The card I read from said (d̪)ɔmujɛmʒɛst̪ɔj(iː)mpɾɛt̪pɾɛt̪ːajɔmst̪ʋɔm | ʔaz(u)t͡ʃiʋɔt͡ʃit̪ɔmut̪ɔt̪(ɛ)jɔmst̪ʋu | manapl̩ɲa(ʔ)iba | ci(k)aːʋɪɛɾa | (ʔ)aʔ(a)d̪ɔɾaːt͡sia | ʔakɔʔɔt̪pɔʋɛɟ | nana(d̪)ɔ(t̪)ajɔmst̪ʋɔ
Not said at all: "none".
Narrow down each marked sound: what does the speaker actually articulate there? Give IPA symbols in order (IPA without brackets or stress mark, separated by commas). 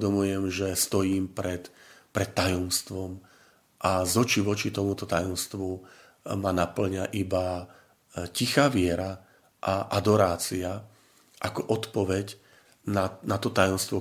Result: d̪, iː, ɔ, a, ʔ, x, ʔ, a, t̪, t̪